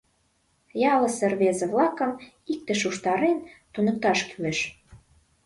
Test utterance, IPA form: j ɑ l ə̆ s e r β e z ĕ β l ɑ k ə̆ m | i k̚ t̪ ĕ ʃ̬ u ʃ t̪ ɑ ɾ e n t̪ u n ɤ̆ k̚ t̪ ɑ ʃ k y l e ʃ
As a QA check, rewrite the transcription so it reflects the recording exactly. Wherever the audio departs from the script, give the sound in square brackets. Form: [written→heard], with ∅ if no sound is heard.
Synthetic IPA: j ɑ l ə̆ s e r β e z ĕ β l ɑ k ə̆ m | i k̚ t̪ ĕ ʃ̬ u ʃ t̪ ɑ ɾ e n t̪ u n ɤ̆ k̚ t̪ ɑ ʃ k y l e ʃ